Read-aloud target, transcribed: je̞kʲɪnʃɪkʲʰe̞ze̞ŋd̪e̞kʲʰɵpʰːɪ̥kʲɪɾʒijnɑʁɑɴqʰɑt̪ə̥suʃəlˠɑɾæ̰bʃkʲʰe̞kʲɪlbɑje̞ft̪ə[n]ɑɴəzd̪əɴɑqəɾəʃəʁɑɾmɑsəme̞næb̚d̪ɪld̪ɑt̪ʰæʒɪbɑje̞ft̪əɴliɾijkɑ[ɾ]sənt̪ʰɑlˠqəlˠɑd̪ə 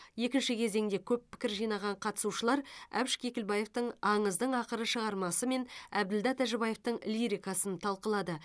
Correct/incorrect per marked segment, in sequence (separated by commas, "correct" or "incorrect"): incorrect, incorrect